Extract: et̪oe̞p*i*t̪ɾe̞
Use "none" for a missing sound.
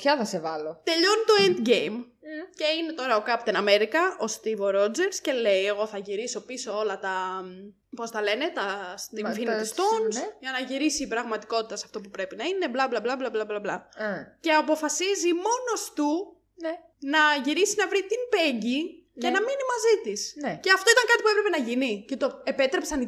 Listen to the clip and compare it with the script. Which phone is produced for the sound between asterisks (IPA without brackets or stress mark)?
e